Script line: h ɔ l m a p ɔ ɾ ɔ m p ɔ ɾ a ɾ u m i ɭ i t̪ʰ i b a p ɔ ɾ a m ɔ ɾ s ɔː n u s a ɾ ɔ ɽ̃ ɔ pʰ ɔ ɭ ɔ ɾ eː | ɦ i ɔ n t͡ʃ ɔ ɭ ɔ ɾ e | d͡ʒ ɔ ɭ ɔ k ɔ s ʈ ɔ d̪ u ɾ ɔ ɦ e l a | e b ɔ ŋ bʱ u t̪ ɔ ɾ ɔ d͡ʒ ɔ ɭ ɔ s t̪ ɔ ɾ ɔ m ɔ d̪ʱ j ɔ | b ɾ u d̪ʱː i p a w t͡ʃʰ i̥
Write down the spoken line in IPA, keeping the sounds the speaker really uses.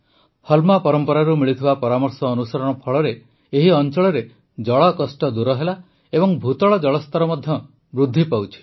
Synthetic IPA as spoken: h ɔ l m a p ɔ ɾ ɔ m p ɔ ɾ a ɾ u m i ɭ i t̪ʰ i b a p ɔ ɾ a m ɔ ɾ s ɔː n u s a ɾ ɔ ɽ̃ ɔ pʰ ɔ ɭ ɔ ɾ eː | ɦ i ɔ n t͡ʃ ɔ ɭ ɔ ɾ e | d͡ʒ ɔ ɭ ɔ k ɔ s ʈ ɔ d̪ u ɾ ɔ ɦ e l a | e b ɔ ŋ bʱ u t̪ ɔ ɭ ɔ d͡ʒ ɔ ɭ ɔ s t̪ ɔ ɾ ɔ m ɔ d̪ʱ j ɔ | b ɾ u d̪ʱː i p a w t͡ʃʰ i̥